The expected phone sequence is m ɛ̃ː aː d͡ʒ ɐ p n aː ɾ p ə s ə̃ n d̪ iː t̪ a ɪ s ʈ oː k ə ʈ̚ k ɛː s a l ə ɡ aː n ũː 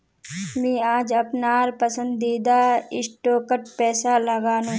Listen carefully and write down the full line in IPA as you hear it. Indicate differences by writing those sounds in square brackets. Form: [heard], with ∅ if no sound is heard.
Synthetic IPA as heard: m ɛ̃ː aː d͡ʒ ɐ p n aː ɾ p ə s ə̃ n d̪ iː [d̪] a ɪ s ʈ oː k ə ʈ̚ [p] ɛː s a l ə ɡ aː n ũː